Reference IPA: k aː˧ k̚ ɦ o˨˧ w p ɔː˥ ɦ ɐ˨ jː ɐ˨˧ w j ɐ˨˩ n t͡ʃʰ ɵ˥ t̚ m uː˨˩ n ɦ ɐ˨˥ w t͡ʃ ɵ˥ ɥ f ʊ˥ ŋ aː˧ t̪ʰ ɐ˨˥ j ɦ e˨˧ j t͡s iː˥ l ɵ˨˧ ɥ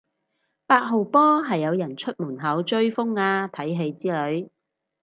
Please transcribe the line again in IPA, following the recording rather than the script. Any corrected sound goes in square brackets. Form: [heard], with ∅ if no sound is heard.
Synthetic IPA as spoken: [p] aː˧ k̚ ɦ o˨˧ w p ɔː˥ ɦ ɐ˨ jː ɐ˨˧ w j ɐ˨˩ n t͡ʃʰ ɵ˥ t̚ m uː˨˩ n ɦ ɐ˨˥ w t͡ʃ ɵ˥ ɥ f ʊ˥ ŋ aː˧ t̪ʰ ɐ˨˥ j ɦ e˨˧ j t͡s iː˥ l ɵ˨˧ ɥ